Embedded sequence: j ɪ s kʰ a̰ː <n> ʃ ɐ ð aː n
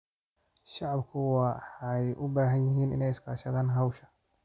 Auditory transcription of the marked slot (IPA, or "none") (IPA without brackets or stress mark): none